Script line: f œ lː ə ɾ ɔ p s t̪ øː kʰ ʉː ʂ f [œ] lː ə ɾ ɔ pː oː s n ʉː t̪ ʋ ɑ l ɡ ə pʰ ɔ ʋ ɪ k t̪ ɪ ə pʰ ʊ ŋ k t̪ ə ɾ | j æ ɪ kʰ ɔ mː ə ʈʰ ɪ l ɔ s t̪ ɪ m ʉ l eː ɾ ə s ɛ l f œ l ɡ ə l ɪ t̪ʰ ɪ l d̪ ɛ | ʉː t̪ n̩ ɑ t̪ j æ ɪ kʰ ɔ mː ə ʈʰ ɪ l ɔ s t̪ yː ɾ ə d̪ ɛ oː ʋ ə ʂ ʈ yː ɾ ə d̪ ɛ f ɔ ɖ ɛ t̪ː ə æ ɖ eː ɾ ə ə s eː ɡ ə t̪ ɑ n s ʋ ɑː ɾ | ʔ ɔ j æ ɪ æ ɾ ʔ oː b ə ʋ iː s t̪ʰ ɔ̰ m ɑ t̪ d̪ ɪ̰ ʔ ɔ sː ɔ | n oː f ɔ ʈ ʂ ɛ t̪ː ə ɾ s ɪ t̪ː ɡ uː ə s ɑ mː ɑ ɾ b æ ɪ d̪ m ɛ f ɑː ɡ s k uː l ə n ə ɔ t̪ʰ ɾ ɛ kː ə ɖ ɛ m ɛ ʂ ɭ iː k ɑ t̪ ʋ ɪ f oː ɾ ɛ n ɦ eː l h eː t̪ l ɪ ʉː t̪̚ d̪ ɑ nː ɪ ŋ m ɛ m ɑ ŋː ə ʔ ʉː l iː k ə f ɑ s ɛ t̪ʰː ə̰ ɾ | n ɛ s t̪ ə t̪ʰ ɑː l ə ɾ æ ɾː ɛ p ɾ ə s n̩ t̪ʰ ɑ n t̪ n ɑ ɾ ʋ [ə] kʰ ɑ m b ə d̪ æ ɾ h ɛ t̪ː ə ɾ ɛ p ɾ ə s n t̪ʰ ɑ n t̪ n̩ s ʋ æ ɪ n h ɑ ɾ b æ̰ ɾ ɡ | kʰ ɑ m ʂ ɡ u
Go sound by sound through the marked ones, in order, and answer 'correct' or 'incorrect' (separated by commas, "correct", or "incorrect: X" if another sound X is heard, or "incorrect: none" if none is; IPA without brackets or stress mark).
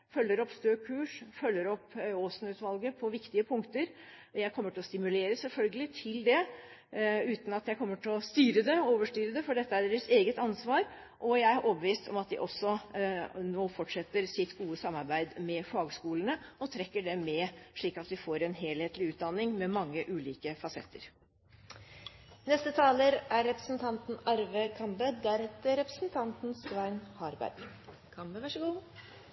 correct, correct